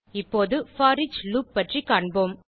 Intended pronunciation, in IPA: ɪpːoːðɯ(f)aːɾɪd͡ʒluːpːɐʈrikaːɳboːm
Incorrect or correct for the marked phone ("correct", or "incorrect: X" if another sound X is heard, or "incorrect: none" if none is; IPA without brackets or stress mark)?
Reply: correct